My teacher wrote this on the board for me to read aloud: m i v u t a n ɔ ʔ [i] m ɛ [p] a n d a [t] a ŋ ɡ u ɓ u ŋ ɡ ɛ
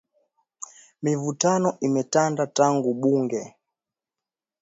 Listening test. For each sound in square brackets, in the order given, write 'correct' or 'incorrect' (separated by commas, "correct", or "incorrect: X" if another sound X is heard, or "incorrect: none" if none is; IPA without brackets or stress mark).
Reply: correct, incorrect: t, correct